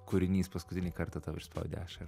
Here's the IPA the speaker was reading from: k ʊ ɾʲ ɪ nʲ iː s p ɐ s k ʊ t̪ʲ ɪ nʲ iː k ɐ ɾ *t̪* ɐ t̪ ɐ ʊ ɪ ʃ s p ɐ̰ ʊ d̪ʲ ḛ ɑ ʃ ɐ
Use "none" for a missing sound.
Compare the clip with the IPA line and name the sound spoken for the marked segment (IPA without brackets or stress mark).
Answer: t̪